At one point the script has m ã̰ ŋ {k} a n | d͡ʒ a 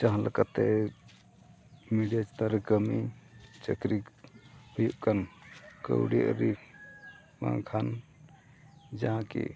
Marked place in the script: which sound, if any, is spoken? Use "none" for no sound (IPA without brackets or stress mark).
kʰ